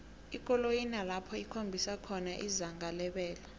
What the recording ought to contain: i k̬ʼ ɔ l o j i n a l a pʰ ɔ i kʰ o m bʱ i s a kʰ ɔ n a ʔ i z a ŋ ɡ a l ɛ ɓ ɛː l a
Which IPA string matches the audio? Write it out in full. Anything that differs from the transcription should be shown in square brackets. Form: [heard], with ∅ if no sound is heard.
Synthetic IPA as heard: i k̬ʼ ɔ l o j i n a l a pʰ ɔ i kʰ o m bʱ i s a kʰ ɔ n a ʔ i z a ŋ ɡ a l ɛ ɓ ɛː l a